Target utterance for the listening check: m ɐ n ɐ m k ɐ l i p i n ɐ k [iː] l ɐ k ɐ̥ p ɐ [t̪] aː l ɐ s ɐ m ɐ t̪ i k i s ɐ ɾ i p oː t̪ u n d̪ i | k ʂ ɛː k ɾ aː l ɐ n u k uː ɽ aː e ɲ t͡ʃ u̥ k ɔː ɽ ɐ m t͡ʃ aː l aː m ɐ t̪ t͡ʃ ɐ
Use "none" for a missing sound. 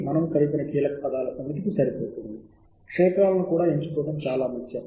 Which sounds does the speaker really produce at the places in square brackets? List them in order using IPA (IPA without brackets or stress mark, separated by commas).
iː, d̪